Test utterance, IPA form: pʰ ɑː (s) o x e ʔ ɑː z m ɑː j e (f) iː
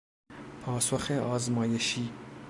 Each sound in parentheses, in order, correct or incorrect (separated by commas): correct, incorrect